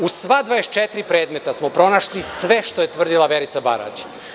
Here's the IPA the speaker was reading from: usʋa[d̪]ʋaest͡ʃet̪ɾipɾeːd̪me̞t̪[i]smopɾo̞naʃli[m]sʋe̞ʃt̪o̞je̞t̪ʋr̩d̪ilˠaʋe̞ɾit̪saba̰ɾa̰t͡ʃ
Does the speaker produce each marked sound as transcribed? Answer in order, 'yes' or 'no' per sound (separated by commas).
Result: yes, no, no